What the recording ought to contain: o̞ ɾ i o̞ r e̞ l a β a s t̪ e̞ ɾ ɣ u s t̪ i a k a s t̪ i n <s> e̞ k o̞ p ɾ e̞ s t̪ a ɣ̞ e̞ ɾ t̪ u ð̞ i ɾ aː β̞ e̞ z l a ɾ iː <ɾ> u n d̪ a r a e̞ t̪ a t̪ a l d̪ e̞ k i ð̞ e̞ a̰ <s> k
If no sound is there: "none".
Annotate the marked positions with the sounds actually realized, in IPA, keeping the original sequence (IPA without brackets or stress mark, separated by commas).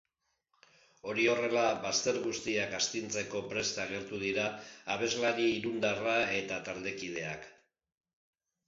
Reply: t͡s, ɾ, none